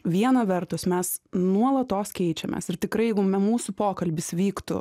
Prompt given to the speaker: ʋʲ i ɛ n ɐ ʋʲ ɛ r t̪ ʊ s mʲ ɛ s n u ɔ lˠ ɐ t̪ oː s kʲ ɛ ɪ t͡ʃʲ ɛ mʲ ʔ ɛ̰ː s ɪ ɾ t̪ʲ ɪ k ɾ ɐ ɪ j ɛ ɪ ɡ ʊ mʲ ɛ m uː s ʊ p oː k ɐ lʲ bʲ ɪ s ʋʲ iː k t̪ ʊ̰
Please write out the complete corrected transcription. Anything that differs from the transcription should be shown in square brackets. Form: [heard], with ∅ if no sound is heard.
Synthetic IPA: ʋʲ i ɛ n ɐ ʋʲ ɛ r t̪ ʊ s mʲ ɛ s n u ɔ lˠ ɐ t̪ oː s kʲ ɛ ɪ t͡ʃʲ ɛ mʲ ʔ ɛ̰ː s ɪ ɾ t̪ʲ ɪ k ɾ ɐ ɪ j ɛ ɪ ɡ ʊ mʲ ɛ m uː s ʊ p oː k ɐ lʲ bʲ ɪ s ʋʲ iː k t̪ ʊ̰

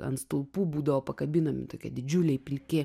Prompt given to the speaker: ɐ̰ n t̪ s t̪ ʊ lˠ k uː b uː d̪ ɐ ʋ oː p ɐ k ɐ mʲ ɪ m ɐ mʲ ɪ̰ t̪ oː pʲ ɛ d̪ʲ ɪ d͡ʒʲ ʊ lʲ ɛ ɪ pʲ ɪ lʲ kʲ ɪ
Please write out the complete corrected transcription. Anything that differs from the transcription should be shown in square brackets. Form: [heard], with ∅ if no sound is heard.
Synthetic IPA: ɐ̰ n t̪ s t̪ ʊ lˠ [p] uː b uː d̪ ɐ ʋ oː p ɐ k ɐ [bʲ] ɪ [n] ɐ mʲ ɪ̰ t̪ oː [kʲ] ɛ d̪ʲ ɪ d͡ʒʲ ʊ lʲ ɛ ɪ pʲ ɪ lʲ kʲ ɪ

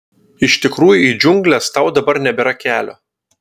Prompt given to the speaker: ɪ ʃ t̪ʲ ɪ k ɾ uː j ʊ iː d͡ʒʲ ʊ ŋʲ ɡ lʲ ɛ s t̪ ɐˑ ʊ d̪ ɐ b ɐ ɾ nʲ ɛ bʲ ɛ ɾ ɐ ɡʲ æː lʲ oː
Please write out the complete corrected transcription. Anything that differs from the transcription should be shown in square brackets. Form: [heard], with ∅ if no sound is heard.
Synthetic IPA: ɪ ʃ t̪ʲ ɪ k ɾ uː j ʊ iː d͡ʒʲ ʊ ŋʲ ɡ lʲ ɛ s t̪ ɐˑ ʊ d̪ ɐ b ɐ ɾ nʲ ɛ bʲ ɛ ɾ ɐ [kʲ] æː lʲ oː

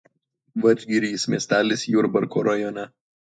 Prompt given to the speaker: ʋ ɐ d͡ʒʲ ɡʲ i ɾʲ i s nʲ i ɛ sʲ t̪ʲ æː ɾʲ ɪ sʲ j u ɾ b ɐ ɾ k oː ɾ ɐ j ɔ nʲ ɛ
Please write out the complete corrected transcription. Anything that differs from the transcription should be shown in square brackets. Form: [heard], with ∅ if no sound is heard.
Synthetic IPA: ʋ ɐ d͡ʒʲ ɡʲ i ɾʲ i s [mʲ] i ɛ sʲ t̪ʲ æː [lʲ] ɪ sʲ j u ɾ b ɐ ɾ k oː ɾ ɐ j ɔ nʲ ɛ

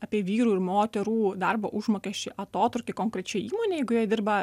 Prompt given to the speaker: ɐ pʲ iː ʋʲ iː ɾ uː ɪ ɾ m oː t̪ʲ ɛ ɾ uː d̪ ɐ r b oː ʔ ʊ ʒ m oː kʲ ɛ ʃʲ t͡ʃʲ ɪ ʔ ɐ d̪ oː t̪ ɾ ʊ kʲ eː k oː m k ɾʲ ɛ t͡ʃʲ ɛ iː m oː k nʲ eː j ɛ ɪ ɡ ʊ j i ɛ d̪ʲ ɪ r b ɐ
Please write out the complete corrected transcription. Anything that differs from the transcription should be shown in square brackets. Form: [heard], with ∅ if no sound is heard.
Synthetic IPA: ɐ pʲ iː ʋʲ iː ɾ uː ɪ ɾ m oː t̪ʲ ɛ ɾ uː d̪ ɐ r b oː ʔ ʊ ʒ m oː kʲ ɛ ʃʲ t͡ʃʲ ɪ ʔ ɐ [t̪] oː t̪ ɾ ʊ kʲ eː k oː [ŋ] k ɾʲ ɛ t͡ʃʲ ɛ iː m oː [∅] nʲ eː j ɛ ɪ ɡ ʊ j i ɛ d̪ʲ ɪ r b ɐ

